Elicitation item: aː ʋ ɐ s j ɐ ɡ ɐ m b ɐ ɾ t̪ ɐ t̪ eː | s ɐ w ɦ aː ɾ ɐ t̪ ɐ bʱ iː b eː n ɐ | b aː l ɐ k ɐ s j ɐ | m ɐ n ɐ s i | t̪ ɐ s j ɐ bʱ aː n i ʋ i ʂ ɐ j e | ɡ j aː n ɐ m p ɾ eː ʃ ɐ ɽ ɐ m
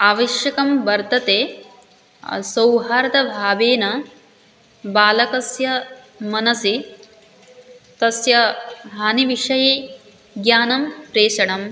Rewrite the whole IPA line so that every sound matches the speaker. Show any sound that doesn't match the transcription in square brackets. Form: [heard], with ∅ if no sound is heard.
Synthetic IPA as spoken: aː ʋ ɐ [ʃ] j ɐ [k] ɐ m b ɐ ɾ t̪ ɐ t̪ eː | s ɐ w ɦ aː ɾ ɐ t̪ ɐ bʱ [aː] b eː n ɐ | b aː l ɐ k ɐ s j ɐ | m ɐ n ɐ s i | t̪ ɐ s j ɐ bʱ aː n i ʋ i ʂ ɐ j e | ɡ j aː n ɐ m p ɾ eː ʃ ɐ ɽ ɐ m